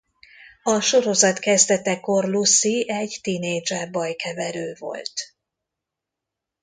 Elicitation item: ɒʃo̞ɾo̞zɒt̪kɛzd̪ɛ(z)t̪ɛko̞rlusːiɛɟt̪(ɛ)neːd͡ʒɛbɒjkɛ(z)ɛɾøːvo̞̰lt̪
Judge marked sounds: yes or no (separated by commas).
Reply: no, no, no